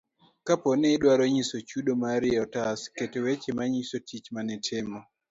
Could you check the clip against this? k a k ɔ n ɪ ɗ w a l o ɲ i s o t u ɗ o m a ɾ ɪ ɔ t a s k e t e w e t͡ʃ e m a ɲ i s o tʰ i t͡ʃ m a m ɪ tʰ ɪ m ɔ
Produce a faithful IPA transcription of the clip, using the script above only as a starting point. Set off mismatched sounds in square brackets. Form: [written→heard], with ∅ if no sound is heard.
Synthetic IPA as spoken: k a [k→p] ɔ n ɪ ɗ w a [l→ɾ] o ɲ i s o [t→t͡ʃ] u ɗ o m a ɾ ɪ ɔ t a s k e t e w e t͡ʃ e m a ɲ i s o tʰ i t͡ʃ m a [m→n] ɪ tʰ ɪ m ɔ